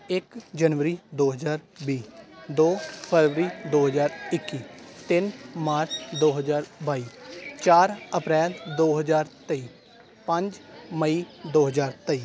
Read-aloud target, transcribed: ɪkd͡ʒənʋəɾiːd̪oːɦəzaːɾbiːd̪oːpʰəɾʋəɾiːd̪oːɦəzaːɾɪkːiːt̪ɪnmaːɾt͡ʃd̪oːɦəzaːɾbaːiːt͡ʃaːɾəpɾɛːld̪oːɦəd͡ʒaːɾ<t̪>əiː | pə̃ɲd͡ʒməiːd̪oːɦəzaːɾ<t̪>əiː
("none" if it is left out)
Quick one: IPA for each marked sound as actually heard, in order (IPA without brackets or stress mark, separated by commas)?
t̪, t̪